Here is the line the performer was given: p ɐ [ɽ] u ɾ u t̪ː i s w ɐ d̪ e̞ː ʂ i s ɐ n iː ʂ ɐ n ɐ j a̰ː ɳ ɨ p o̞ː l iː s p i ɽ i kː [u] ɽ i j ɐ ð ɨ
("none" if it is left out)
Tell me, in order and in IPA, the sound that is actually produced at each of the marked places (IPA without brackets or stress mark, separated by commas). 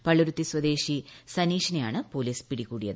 ɭ, uː